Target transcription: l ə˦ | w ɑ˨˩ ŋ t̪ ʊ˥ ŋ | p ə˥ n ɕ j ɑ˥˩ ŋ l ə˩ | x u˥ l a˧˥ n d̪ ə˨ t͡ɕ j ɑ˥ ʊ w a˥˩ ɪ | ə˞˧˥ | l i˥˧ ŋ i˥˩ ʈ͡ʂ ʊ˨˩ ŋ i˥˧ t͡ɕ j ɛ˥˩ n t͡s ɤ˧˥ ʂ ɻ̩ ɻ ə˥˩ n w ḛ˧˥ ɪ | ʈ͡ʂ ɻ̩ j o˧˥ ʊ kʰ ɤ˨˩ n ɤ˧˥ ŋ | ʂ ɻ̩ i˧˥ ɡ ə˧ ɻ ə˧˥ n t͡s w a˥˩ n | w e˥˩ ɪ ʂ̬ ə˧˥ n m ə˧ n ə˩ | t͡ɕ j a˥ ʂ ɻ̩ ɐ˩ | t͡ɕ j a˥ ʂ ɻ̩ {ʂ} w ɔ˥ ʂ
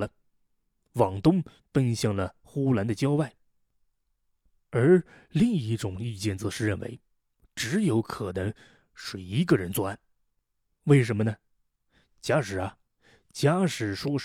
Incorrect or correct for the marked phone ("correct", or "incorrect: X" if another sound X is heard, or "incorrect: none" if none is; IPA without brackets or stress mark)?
correct